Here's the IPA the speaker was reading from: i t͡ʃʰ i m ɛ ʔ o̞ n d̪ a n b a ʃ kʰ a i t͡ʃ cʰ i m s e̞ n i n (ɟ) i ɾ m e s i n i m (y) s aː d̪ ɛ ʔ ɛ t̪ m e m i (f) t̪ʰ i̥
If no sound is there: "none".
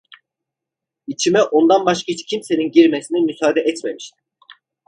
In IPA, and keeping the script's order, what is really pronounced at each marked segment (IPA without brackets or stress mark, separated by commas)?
ɟ, y, ʃ